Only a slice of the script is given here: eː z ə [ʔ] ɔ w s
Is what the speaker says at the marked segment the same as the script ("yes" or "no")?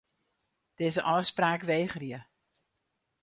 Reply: yes